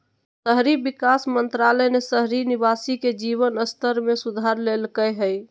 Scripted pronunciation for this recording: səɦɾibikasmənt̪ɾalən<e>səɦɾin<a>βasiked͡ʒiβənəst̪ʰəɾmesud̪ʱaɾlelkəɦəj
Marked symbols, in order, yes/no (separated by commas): yes, no